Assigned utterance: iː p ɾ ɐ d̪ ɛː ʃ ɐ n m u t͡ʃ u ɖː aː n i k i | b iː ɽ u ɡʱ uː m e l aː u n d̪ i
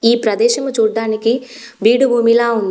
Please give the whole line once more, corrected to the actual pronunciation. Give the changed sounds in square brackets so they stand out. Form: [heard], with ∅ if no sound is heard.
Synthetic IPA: iː p ɾ ɐ d̪ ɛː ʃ ɐ [∅] m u t͡ʃ [uː] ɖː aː n i k i | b iː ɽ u [bʱ] uː m [i] l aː u n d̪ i